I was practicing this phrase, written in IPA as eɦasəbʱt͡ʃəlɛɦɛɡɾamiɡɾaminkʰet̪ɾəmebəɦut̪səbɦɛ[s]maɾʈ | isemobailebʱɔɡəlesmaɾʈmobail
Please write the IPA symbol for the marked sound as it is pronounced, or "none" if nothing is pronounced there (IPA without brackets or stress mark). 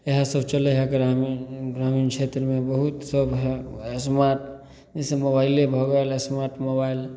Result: s